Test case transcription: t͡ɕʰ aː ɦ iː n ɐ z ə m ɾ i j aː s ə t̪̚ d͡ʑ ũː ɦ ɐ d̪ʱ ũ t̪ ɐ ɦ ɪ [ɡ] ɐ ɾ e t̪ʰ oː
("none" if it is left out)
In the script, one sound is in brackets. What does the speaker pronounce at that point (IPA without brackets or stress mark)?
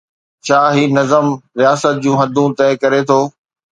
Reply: k